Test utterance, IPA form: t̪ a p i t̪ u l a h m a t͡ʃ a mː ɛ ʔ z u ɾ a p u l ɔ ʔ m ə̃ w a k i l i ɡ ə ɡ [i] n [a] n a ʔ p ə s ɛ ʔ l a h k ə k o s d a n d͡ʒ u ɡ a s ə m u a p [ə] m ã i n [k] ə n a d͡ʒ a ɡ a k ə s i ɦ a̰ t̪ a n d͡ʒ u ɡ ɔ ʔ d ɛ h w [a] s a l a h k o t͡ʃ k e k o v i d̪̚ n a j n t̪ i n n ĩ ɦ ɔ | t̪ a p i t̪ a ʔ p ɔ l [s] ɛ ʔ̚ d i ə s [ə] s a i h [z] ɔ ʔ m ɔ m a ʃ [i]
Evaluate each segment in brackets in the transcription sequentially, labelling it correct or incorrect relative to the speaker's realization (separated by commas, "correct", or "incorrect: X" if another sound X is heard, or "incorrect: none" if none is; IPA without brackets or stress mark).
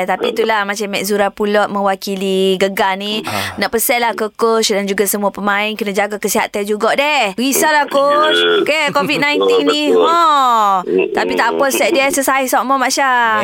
incorrect: a, incorrect: i, correct, correct, incorrect: i, correct, correct, incorrect: s, incorrect: a